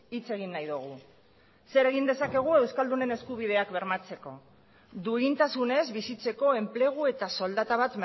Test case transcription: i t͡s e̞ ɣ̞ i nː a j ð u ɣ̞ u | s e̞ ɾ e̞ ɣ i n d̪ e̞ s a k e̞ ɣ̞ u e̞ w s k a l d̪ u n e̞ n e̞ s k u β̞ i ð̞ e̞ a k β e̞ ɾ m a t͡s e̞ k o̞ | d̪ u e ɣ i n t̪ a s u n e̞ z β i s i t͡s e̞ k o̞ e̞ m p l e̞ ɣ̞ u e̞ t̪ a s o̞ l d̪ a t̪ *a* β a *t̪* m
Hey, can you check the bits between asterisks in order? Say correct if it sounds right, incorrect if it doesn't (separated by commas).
correct, correct